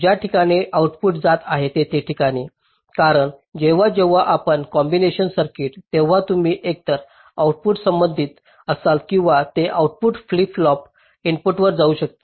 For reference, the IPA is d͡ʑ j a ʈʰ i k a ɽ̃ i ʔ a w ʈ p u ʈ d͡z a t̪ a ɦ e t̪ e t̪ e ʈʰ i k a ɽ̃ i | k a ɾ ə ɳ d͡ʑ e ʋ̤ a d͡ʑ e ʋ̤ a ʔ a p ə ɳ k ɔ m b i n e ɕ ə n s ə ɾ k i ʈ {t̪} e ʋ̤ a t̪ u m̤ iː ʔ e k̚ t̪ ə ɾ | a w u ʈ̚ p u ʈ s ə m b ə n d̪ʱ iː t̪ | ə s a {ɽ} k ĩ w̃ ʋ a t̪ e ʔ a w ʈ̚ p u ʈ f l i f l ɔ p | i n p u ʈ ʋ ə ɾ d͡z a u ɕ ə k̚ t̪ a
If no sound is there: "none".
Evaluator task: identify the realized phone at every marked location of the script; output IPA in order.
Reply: t̪, l

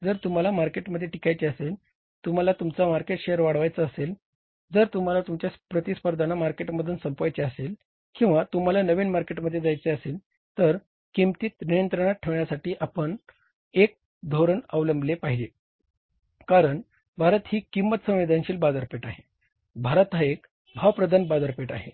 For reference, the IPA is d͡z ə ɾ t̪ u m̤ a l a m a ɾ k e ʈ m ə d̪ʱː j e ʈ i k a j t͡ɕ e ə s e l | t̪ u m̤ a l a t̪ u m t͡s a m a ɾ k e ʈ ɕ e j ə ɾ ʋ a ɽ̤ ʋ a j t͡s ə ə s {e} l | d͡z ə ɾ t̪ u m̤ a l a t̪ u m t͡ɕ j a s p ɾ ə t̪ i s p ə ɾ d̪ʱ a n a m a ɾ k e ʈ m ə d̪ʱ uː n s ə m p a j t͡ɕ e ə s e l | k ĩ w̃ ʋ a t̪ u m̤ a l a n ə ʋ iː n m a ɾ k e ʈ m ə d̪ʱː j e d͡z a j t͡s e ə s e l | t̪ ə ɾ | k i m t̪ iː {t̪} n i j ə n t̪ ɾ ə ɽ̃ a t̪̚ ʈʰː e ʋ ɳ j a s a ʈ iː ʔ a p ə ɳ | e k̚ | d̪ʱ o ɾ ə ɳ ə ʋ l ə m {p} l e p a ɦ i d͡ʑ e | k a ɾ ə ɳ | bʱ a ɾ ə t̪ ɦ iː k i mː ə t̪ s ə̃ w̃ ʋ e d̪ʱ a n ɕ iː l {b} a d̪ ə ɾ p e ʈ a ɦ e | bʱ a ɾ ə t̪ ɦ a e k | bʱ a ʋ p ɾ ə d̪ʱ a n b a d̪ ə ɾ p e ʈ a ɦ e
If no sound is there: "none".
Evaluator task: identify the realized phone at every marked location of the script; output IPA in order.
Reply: e, t̪, b, b

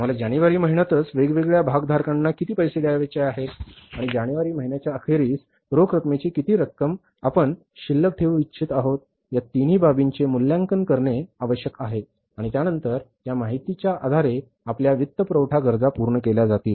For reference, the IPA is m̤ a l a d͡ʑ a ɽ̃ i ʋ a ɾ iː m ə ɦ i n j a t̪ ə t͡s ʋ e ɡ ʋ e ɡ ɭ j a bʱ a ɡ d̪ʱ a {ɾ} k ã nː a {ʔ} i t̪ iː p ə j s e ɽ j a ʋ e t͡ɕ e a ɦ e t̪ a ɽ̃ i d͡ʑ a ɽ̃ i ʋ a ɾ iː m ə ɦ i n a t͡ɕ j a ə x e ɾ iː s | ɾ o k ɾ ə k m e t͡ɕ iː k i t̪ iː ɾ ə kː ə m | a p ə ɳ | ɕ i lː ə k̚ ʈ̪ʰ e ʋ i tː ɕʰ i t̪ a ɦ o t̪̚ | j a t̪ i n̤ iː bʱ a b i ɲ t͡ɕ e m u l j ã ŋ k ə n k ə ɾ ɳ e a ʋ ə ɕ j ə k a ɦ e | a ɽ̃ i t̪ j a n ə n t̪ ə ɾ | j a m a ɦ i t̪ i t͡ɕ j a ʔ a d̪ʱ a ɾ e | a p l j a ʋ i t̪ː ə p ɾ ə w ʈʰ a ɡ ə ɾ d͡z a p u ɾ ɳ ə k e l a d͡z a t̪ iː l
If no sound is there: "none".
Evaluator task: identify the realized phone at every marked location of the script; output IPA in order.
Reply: ɾ, k

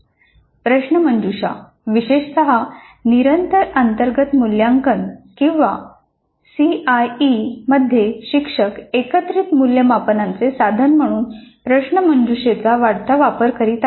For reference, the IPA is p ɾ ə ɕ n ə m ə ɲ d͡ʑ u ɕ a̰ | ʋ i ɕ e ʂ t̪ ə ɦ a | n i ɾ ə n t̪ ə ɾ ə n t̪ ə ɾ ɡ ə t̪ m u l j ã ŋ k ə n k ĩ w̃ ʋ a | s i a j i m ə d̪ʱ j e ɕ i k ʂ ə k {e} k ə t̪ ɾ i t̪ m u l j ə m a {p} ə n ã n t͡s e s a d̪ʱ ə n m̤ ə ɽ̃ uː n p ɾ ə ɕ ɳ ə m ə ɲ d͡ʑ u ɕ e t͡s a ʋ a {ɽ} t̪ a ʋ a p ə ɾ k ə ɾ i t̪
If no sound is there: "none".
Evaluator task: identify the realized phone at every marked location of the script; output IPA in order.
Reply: e, p, ɽ

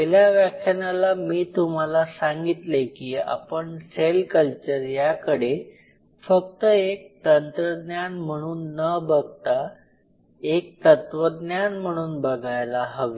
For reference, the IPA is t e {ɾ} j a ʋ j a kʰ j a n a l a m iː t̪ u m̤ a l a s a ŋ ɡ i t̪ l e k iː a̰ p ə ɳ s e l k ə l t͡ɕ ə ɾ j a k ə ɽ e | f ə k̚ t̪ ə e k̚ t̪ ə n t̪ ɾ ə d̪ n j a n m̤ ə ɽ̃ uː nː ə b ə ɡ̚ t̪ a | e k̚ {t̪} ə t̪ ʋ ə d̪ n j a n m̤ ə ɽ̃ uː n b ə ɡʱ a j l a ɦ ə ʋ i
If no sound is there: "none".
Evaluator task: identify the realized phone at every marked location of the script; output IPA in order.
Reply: l, t̪

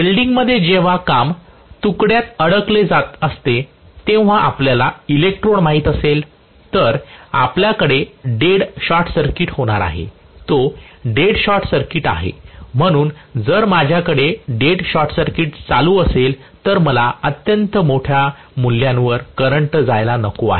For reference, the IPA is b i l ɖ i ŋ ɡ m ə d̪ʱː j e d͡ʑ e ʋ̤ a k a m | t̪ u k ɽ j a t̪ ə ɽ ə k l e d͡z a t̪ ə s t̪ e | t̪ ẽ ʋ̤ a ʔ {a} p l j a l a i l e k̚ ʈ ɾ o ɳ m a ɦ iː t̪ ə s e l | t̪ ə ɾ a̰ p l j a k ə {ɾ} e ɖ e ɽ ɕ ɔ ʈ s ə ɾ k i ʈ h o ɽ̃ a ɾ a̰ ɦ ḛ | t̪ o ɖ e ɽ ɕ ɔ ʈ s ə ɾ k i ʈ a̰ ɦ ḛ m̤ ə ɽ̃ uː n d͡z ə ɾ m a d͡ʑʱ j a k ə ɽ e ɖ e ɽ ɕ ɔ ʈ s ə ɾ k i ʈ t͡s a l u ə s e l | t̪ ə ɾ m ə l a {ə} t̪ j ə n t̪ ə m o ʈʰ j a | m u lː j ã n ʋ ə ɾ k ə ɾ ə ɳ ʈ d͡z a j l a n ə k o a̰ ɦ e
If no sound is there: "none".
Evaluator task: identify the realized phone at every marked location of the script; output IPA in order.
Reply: a, ɽ, ə

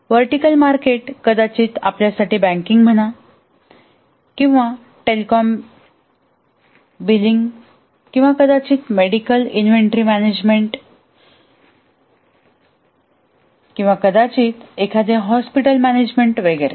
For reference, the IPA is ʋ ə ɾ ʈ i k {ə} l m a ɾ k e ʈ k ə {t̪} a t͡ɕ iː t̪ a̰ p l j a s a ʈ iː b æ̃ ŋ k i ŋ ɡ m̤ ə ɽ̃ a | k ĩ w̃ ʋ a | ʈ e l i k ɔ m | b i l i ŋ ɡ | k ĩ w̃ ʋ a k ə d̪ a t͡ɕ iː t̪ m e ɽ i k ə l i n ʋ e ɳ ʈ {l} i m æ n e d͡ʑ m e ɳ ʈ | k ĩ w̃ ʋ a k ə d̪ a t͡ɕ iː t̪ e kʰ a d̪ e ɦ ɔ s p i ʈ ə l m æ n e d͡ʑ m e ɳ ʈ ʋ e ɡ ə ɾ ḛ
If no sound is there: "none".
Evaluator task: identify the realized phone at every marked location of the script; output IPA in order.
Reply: ə, d̪, ɾ

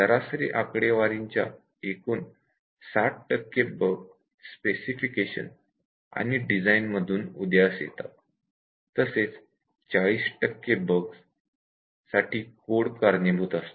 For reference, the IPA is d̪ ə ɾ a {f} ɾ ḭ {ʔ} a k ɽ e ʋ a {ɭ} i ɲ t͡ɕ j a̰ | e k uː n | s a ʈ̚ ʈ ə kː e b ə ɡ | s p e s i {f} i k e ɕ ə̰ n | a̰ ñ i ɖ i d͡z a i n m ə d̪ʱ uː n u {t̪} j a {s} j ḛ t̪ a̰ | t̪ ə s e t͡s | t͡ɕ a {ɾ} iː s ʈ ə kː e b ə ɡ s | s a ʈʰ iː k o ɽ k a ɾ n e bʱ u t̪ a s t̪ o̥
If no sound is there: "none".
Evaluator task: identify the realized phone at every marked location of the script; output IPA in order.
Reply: s, ʔ, ɾ, f, d̪, s, ɭ

